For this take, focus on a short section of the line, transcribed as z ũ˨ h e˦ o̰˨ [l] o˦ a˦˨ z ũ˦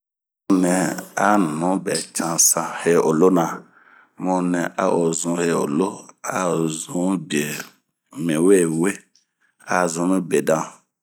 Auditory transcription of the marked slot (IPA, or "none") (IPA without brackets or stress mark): l